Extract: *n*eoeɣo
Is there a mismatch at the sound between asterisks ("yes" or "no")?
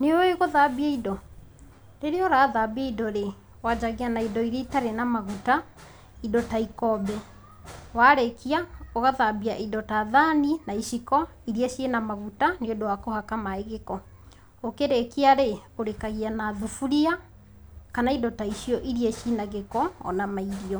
no